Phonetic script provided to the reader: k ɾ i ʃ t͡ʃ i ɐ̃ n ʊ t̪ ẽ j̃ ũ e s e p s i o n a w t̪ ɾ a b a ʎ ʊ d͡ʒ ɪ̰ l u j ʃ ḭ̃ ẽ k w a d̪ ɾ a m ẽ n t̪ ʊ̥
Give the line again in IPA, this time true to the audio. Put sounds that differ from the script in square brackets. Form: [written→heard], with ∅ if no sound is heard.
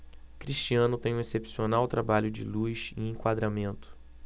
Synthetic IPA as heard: k ɾ i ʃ t͡ʃ i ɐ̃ n ʊ t̪ ẽ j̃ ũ e s e p s i o n a w t̪ ɾ a b a ʎ ʊ d͡ʒ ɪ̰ l u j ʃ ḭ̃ ẽ k w a d̪ ɾ a m ẽ n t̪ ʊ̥